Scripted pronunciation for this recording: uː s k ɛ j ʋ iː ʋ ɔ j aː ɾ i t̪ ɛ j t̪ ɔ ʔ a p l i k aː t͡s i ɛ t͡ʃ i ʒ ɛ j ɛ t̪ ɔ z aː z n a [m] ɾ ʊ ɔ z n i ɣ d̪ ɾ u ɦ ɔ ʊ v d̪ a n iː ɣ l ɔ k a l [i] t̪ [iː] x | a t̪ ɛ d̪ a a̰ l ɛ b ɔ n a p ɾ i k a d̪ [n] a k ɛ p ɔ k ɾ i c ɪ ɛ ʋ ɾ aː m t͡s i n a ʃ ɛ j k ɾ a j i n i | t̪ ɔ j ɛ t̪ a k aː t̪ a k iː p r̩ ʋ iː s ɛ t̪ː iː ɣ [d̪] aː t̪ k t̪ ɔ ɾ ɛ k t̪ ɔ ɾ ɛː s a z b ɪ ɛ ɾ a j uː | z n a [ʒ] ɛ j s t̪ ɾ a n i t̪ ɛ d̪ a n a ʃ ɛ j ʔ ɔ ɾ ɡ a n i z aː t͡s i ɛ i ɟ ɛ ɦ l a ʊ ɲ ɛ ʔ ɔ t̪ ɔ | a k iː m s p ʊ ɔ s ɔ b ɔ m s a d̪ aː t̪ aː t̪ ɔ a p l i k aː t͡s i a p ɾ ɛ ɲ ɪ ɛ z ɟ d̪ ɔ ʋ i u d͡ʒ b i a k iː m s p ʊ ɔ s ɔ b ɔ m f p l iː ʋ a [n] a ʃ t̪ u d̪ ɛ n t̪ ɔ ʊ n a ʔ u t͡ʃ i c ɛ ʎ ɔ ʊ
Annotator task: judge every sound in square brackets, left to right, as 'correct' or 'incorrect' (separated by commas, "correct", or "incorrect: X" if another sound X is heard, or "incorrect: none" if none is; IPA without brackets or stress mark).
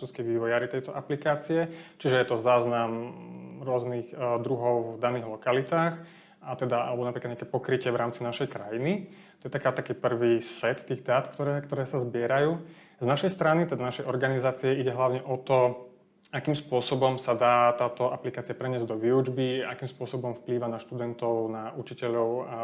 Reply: correct, correct, incorrect: aː, incorrect: ɲ, correct, incorrect: ʃ, correct